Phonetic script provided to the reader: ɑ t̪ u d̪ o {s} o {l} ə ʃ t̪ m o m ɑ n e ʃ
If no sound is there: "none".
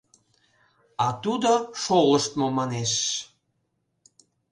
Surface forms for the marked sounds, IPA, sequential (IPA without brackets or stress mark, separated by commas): ʃ, l